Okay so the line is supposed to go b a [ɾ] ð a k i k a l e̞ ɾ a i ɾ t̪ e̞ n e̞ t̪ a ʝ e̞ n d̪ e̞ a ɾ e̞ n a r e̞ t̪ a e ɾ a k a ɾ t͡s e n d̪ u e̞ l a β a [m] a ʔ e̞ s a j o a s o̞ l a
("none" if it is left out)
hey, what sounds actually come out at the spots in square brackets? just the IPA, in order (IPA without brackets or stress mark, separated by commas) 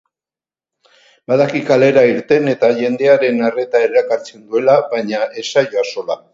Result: none, ɲ